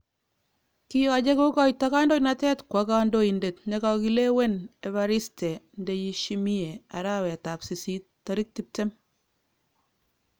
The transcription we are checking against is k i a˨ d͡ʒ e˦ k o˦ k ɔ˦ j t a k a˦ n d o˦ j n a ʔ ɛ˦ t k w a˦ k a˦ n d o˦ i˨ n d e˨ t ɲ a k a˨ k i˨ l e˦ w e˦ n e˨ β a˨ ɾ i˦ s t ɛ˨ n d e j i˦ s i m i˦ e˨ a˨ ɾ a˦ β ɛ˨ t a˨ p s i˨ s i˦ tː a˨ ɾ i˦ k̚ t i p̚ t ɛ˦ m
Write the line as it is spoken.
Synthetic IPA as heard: k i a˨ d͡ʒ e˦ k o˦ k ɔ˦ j t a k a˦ n d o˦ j n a t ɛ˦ t k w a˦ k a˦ n d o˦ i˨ n d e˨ t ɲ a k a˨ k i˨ l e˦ w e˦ n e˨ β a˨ ɾ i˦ s t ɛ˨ n d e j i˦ ʃ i m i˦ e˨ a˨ ɾ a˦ w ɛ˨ t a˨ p s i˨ s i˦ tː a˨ ɾ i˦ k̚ t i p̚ t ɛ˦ m